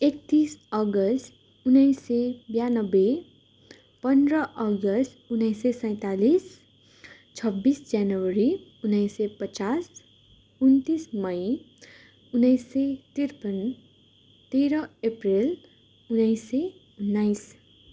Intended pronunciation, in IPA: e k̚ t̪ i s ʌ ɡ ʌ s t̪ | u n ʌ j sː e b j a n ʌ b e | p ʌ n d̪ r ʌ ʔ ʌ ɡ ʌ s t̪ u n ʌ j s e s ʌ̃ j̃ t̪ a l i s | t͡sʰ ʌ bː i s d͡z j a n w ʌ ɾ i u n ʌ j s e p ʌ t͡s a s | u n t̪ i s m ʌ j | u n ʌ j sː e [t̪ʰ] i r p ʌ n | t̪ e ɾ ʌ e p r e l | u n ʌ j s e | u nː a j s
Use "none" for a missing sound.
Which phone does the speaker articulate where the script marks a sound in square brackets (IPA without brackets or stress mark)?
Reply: t̪